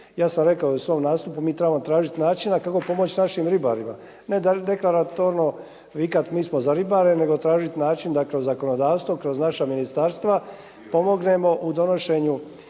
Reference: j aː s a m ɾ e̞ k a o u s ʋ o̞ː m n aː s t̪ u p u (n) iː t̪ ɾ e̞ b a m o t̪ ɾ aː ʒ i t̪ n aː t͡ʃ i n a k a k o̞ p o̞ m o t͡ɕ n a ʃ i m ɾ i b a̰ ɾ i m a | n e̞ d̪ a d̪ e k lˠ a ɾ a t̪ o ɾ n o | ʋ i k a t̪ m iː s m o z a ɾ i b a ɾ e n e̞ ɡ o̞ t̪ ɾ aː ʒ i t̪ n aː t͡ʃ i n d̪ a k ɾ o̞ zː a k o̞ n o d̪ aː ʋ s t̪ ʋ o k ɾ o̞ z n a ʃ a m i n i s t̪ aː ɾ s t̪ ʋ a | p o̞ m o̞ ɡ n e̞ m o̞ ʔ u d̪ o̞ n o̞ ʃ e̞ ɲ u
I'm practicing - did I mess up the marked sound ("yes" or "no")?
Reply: yes